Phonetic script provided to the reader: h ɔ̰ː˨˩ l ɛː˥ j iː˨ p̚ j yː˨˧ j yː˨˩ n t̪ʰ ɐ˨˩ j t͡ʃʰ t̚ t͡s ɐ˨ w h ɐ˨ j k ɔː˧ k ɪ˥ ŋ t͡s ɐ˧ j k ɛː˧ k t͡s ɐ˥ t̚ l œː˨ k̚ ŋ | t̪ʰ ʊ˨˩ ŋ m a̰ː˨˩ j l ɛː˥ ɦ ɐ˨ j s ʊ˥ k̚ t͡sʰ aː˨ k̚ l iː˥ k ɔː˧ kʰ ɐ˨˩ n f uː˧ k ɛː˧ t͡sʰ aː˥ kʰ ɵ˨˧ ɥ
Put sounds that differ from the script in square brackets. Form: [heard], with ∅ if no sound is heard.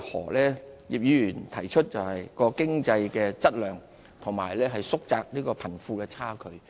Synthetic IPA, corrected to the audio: h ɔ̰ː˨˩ l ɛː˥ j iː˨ p̚ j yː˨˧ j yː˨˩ n t̪ʰ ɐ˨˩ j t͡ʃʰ t̚ t͡s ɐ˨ w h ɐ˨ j k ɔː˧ k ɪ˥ ŋ t͡s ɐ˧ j k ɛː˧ [∅] t͡s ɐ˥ t̚ l œː˨ [∅] ŋ | t̪ʰ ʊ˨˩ ŋ m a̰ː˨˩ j l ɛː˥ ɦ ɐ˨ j s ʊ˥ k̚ [t͡s] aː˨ k̚ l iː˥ k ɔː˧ [pʰ] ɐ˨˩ n f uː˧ k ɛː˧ t͡sʰ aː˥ kʰ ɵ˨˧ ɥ